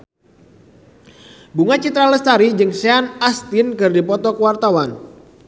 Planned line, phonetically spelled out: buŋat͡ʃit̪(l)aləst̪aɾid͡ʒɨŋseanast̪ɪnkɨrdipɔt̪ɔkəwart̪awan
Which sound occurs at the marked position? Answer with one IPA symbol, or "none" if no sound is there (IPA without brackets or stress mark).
ɾ